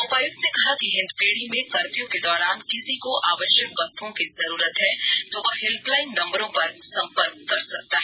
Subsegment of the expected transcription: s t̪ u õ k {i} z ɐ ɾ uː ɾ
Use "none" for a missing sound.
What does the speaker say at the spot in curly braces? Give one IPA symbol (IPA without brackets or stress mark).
i